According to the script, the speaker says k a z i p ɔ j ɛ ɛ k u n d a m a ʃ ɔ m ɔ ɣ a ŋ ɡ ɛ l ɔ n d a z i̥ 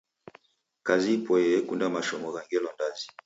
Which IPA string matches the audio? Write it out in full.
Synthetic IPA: k a z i p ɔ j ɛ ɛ k u n d a m a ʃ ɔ m ɔ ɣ a ŋ ɡ ɛ l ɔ n d a z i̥